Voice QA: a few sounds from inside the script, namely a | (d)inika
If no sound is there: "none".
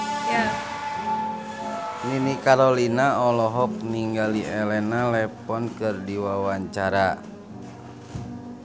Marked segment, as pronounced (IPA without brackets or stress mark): n